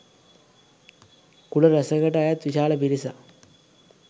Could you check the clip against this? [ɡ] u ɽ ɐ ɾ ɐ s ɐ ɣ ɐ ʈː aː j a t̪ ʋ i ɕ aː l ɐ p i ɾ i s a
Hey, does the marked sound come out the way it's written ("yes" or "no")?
no